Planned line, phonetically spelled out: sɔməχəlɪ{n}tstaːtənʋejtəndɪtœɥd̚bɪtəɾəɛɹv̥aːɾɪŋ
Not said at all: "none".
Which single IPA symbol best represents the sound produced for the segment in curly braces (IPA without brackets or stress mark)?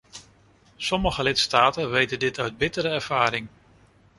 none